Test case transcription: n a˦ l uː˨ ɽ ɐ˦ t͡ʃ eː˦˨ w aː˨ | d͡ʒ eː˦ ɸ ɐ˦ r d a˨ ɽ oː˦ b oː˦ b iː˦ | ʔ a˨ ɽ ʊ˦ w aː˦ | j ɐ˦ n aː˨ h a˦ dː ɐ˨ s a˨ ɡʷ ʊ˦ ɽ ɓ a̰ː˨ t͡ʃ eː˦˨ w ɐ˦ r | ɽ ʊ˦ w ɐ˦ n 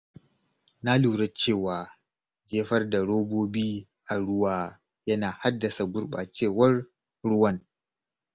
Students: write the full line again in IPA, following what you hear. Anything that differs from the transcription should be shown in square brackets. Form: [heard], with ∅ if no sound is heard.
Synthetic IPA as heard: n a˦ l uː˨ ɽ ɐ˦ t͡ʃ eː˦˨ w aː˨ | d͡ʒ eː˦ ɸ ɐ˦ r d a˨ ɽ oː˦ b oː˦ b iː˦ | ʔ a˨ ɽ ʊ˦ w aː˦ | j ɐ˦ n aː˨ h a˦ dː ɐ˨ s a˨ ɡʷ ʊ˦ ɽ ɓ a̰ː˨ t͡ʃ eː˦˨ w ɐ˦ r | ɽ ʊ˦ w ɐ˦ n